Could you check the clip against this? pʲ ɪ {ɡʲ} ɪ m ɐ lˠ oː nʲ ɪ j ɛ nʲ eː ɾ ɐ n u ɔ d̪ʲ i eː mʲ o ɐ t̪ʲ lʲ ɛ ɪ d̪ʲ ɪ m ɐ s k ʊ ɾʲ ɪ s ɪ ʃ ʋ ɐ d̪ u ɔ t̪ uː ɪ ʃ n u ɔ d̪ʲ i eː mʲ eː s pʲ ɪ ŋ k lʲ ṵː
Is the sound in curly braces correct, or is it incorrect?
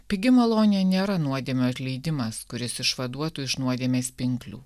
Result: correct